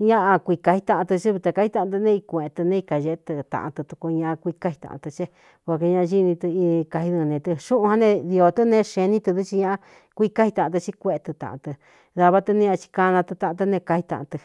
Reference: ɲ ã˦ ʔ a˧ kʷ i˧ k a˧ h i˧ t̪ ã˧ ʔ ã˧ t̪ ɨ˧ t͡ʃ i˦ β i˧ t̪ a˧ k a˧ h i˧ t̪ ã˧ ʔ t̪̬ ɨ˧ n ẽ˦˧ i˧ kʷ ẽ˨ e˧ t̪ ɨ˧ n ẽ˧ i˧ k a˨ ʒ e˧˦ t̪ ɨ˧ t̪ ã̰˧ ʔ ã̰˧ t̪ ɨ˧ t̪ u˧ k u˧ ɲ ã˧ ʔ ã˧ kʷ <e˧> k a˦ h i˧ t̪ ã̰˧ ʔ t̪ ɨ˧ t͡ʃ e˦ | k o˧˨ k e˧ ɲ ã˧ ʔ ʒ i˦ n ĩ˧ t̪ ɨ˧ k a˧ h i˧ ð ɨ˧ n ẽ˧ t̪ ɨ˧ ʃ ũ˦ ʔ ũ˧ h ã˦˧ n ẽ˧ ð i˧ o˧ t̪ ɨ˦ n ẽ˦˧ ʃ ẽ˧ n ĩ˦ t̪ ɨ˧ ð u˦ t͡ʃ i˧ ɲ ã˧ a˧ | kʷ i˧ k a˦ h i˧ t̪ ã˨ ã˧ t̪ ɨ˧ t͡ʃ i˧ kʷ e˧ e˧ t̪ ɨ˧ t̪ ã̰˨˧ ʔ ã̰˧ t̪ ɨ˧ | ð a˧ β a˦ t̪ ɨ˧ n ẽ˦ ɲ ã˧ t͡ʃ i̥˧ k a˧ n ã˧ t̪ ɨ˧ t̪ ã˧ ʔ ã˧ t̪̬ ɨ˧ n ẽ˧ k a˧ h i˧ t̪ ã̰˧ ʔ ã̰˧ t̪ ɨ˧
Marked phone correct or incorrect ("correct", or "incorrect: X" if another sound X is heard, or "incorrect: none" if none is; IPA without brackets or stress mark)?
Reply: incorrect: i˧